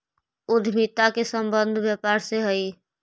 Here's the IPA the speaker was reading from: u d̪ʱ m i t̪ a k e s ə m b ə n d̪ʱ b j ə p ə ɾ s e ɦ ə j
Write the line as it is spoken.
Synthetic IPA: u d̪ʱ m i t̪ a k e s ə m b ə n d̪ʱ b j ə p a ɾ s e ɦ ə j